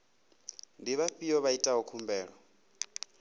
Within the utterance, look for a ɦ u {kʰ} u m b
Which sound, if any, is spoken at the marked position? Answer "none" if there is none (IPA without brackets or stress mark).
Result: kʰ